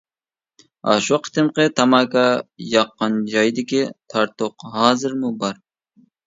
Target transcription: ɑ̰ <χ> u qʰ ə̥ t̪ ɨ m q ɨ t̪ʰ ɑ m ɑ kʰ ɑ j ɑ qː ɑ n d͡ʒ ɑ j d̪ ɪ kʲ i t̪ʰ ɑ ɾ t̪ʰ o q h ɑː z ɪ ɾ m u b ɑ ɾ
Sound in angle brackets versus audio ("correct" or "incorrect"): incorrect